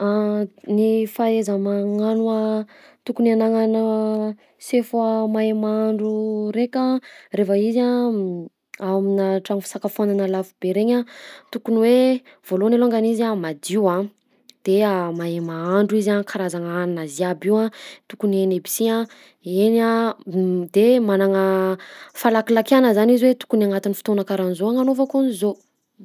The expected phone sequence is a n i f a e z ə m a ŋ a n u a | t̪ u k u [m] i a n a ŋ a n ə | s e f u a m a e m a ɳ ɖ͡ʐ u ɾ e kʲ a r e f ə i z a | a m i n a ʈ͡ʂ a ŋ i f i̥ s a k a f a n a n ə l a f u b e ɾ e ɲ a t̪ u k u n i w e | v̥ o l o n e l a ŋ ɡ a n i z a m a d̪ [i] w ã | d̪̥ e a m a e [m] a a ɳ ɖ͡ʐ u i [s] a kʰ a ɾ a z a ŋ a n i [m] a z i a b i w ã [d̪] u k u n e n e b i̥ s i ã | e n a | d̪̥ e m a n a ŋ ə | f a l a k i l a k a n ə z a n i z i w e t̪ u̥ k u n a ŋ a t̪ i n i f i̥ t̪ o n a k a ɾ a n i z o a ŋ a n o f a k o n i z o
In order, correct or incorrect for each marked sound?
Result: incorrect, correct, correct, incorrect, incorrect, incorrect

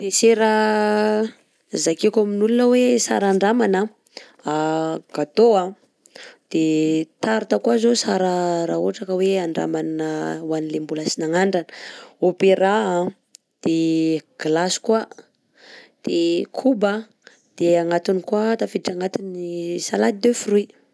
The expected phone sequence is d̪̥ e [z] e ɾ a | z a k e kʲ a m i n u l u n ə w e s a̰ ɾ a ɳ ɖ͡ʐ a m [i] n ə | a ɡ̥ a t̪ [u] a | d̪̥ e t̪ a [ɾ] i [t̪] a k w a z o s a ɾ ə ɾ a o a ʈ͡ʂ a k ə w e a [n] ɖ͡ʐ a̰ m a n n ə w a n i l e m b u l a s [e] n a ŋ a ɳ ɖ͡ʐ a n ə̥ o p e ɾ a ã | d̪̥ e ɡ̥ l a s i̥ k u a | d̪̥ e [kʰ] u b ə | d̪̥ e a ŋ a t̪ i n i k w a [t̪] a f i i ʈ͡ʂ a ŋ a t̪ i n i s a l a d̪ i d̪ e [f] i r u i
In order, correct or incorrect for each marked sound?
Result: incorrect, incorrect, incorrect, correct, correct, incorrect, incorrect, correct, correct, correct

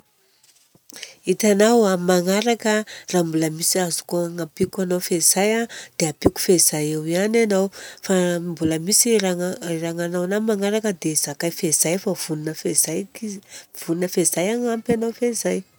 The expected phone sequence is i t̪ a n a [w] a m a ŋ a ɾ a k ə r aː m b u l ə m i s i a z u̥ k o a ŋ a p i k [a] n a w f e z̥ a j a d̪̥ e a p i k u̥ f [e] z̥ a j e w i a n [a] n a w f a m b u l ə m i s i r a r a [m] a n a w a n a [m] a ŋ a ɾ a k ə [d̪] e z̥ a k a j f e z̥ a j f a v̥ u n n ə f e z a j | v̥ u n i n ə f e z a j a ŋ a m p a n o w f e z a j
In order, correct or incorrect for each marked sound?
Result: correct, correct, correct, correct, incorrect, correct, correct

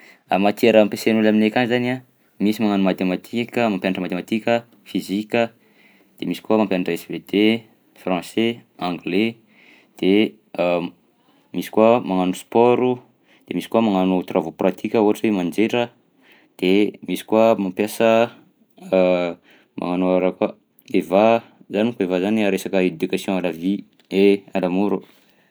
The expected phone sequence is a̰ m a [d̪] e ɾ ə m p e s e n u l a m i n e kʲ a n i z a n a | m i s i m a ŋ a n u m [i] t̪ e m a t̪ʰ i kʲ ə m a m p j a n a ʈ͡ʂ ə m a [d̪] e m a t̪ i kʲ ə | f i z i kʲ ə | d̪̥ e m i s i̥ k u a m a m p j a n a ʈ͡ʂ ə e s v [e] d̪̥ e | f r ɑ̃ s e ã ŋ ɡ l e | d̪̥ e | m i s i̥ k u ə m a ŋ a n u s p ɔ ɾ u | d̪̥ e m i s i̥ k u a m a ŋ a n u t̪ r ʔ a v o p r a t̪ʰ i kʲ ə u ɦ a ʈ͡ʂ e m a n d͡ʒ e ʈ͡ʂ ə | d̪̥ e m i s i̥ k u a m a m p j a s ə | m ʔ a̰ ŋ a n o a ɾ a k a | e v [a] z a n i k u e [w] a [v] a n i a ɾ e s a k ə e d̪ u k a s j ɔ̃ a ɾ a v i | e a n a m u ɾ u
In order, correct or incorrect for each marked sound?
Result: incorrect, incorrect, incorrect, correct, correct, incorrect, incorrect

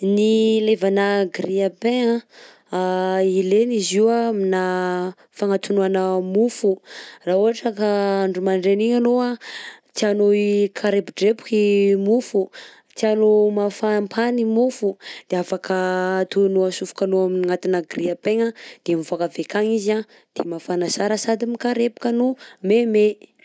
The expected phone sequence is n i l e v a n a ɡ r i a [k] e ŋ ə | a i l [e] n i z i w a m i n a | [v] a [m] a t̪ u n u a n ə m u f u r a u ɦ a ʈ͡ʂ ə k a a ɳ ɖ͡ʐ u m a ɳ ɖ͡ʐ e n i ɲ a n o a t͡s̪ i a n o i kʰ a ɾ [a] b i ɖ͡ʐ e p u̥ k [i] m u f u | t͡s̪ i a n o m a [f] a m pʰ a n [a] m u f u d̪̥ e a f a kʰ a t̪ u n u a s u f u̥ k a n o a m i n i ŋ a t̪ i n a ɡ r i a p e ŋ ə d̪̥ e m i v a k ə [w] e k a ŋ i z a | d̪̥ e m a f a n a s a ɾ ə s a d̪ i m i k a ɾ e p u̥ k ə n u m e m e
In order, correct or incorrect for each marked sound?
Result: incorrect, correct, incorrect, incorrect, incorrect, correct, correct, incorrect, incorrect

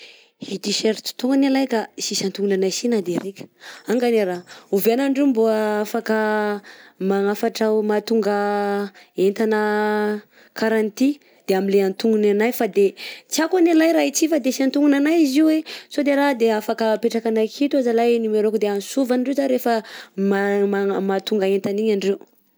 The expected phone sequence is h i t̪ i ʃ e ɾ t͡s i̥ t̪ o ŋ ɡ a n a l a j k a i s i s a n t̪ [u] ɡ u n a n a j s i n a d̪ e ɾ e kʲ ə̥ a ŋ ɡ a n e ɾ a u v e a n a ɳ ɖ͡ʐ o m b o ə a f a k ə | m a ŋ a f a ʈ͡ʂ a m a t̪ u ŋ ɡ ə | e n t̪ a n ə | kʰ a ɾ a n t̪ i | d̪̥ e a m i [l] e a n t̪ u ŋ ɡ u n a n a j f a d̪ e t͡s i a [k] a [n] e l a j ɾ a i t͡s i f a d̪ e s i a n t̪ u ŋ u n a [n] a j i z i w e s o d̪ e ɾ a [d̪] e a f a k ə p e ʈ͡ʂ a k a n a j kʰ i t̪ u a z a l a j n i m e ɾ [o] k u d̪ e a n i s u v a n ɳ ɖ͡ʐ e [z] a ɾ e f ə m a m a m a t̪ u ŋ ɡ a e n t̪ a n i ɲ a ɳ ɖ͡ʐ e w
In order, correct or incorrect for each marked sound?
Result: correct, correct, correct, correct, correct, correct, correct, correct

